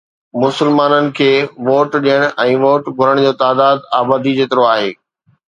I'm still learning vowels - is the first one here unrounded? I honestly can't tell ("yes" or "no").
no